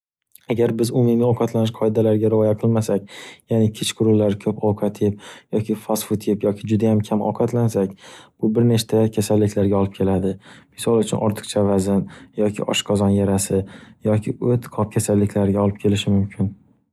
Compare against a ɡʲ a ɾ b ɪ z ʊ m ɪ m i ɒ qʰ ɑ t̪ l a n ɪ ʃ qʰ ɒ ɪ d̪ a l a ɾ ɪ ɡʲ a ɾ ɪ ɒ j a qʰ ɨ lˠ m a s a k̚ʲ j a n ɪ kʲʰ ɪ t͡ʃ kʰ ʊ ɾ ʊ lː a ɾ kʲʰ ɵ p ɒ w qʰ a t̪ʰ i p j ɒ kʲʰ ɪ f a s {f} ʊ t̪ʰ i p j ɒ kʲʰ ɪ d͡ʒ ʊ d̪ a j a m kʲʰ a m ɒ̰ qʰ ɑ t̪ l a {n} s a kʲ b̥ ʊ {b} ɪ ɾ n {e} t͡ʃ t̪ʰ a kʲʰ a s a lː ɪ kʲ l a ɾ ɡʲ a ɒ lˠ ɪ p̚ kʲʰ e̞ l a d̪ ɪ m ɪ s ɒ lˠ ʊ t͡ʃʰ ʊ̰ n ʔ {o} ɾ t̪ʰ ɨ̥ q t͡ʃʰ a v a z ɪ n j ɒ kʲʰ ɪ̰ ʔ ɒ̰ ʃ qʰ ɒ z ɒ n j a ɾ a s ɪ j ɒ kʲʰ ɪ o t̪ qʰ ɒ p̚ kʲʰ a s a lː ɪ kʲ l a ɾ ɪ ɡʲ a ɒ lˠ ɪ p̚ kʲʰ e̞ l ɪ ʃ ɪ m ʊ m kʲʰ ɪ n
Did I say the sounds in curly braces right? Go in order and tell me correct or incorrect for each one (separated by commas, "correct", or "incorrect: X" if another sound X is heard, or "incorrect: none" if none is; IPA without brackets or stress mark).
correct, correct, correct, correct, incorrect: ɒ